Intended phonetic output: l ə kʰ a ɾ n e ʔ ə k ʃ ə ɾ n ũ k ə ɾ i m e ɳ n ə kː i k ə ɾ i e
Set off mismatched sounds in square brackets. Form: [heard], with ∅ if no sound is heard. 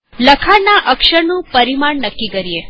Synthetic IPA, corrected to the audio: l ə kʰ a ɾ n [a] ʔ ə k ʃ ə ɾ n ũ [p] ə ɾ i m [a] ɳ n ə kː i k ə ɾ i e